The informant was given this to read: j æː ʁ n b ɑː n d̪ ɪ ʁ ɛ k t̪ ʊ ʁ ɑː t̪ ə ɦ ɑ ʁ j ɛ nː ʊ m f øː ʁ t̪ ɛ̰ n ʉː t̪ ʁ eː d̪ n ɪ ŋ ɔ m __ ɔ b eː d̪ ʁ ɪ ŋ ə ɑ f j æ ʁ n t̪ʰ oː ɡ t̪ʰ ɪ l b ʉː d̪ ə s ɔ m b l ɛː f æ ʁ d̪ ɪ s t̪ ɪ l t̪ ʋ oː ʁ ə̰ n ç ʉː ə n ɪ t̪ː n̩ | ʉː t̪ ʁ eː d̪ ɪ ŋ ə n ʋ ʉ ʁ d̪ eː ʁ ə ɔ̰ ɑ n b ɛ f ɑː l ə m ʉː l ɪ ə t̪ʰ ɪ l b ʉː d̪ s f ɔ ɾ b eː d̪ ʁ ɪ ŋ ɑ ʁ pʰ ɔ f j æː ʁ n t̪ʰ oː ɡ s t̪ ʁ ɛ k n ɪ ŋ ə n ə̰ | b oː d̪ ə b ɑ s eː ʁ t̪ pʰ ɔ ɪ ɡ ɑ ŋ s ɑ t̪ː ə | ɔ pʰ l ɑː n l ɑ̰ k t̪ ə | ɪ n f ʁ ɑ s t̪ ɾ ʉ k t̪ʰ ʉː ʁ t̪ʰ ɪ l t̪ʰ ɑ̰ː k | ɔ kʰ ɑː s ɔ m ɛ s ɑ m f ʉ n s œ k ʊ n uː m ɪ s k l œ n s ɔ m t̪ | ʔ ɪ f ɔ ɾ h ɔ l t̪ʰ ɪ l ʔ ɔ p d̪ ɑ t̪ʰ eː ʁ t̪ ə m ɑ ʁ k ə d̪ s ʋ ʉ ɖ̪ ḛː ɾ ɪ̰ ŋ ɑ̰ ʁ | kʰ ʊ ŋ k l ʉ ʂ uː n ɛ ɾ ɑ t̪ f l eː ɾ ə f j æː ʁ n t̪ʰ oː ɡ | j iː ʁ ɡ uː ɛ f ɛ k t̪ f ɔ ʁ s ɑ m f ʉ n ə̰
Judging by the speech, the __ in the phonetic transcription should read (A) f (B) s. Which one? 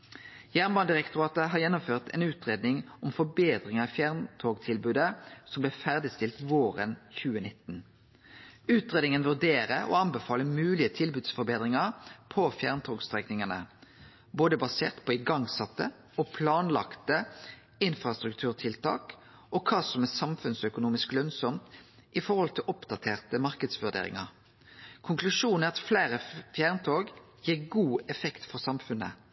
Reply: A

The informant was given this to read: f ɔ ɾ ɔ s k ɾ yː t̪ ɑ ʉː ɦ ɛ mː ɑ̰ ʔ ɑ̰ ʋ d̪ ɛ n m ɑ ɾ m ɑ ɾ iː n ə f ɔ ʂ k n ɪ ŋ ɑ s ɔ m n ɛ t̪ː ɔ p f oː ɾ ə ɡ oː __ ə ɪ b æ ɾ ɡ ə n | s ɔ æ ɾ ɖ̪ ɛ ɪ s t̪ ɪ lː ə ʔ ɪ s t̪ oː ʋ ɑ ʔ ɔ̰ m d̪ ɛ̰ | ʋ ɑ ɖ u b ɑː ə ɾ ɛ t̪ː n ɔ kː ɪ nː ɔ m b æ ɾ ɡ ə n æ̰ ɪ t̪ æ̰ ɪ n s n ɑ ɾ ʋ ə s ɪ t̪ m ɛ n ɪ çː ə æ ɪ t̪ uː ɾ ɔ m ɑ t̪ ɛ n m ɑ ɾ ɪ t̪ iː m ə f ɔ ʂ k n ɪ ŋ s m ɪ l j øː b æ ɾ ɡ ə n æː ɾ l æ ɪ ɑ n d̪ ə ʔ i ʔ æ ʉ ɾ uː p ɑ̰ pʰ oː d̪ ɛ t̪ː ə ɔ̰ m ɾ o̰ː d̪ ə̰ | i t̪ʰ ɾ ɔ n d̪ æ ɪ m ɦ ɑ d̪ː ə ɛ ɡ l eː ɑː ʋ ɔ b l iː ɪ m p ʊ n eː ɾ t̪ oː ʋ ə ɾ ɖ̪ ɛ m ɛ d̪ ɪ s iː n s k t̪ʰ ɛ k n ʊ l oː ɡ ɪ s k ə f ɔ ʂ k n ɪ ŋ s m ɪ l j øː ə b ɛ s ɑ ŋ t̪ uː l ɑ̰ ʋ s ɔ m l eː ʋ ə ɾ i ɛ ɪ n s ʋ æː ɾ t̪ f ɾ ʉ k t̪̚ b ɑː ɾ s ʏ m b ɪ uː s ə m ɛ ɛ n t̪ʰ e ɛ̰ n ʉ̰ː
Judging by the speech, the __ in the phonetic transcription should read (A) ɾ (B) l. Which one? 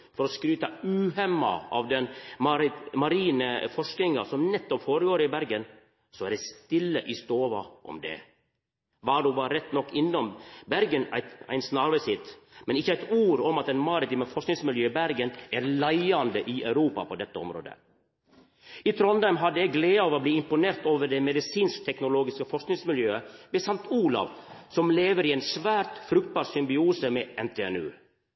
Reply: A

